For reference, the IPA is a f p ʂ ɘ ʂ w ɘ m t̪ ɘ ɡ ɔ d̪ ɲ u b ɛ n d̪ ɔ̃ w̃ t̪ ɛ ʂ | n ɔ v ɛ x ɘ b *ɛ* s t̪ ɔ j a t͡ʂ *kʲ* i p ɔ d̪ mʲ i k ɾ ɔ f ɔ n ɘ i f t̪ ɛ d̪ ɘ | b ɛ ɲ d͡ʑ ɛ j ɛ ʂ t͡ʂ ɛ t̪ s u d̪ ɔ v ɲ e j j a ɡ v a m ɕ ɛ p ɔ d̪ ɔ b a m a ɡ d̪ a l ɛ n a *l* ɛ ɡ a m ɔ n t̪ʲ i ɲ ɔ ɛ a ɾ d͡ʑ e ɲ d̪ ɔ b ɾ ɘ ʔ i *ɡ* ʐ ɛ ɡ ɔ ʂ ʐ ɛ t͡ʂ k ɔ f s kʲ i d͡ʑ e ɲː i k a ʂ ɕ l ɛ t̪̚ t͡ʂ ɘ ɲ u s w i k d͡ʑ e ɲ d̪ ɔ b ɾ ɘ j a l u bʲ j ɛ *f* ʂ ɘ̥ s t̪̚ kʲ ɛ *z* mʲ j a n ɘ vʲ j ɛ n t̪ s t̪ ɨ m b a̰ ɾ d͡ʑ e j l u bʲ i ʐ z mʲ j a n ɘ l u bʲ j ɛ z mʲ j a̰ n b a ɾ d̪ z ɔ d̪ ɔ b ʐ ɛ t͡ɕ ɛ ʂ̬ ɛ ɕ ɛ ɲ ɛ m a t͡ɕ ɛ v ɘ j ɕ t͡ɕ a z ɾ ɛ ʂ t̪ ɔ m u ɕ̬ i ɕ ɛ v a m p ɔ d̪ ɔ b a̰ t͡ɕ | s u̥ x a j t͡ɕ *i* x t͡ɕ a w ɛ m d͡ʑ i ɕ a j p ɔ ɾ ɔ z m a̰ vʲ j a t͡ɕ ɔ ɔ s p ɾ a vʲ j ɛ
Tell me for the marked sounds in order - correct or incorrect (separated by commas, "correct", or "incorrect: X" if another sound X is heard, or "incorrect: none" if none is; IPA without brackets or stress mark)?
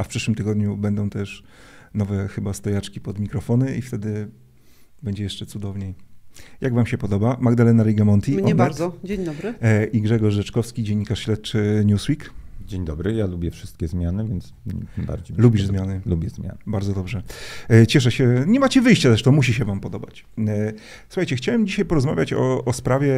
incorrect: a, correct, incorrect: ɾ, correct, correct, correct, incorrect: ɛ